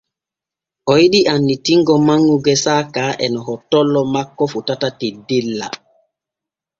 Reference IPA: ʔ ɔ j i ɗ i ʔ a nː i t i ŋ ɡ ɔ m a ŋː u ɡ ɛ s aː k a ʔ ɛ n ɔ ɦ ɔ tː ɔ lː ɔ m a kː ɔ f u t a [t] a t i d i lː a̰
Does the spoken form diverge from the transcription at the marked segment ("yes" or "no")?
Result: no